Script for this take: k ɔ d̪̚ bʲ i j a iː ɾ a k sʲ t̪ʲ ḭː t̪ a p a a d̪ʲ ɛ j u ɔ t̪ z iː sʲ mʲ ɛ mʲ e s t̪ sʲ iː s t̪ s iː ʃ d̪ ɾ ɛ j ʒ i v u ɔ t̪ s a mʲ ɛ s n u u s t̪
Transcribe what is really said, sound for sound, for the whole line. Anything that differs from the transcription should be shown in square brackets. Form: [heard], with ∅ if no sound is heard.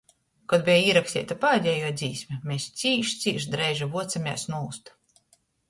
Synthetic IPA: k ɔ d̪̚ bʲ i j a iː ɾ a k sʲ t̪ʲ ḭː t̪ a p a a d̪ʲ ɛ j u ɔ [d̪] z iː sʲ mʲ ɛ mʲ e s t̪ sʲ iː [ʃ] t̪ s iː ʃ d̪ ɾ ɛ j ʒ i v u ɔ t̪ s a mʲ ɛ s n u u s t̪